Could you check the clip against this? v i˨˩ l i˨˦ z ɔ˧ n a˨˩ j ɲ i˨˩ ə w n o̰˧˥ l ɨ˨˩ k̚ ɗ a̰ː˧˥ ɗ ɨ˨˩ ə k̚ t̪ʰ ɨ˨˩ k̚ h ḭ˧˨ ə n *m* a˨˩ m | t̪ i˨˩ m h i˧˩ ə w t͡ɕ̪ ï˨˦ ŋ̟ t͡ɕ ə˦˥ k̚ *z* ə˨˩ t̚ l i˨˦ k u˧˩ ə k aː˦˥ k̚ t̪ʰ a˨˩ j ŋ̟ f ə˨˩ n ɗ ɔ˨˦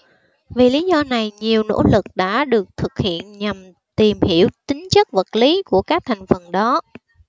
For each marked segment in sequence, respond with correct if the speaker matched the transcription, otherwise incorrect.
incorrect, incorrect

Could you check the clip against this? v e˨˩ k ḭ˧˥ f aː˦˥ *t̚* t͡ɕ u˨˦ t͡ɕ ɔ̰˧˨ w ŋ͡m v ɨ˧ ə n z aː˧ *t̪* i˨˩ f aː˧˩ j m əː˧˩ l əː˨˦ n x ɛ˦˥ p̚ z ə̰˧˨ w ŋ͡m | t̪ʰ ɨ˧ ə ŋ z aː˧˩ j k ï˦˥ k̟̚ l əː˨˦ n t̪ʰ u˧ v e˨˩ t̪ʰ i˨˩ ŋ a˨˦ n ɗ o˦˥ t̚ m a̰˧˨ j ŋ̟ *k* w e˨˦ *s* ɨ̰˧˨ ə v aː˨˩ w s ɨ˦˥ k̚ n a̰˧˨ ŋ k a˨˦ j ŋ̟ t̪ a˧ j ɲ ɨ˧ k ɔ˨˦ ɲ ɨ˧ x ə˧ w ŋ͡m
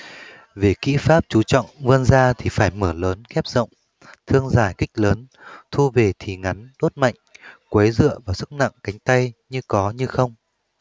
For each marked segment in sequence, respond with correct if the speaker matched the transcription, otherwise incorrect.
incorrect, incorrect, correct, incorrect

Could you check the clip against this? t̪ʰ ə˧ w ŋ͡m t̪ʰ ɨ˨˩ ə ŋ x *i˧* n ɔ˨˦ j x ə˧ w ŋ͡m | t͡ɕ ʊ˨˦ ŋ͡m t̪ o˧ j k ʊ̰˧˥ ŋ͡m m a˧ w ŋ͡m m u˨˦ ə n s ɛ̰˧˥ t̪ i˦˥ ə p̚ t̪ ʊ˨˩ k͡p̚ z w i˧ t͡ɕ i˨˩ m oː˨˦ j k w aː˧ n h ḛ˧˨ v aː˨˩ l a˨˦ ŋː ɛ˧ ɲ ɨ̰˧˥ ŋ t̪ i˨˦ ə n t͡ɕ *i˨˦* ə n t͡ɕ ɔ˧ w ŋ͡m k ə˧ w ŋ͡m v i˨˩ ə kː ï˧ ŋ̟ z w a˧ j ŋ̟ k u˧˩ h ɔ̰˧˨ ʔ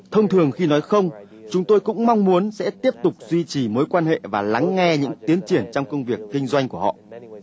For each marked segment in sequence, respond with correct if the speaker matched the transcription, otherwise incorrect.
correct, incorrect

